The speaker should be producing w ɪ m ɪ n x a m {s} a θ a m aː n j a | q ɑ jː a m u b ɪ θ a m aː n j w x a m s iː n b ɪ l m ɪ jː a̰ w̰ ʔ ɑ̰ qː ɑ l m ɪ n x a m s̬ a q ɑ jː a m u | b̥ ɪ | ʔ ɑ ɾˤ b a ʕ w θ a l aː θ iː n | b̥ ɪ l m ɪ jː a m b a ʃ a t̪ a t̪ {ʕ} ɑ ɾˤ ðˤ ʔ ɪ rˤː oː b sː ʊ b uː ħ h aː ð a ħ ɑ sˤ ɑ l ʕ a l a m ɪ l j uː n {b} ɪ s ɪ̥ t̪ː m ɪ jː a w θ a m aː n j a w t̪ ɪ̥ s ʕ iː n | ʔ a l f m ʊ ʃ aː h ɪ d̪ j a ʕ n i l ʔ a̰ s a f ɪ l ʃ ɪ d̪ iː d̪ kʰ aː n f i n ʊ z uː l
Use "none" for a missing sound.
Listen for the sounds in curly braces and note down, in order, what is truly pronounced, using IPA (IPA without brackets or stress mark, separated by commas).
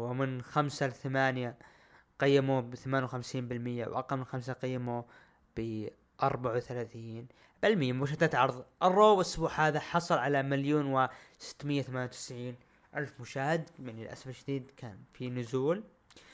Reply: s, ʕ, w